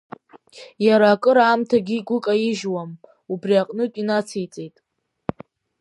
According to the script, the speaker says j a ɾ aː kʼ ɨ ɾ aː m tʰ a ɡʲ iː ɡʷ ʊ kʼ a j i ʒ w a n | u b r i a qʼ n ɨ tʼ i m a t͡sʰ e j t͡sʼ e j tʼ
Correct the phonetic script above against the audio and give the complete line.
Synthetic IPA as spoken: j a ɾ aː kʼ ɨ ɾ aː m tʰ a ɡʲ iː ɡʷ ʊ kʼ a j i ʒ w a m | u b r i a qʼ n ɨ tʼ i n a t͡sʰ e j t͡sʼ e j tʼ